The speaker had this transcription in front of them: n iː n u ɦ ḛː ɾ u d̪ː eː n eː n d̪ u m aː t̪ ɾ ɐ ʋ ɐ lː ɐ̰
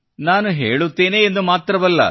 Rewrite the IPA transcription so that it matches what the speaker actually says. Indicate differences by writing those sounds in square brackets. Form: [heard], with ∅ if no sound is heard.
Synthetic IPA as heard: n [aː] n u ɦ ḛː [ɭ] u [t̪ː] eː n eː n d̪ u m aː t̪ ɾ ɐ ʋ ɐ lː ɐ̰